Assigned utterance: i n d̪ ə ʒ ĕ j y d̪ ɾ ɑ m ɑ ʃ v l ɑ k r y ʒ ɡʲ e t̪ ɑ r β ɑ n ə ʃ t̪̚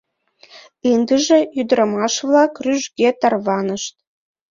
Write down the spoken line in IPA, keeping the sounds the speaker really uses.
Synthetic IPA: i n d̪ ə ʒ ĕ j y d̪ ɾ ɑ m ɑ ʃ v l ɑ k r y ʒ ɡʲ e t̪ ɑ r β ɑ n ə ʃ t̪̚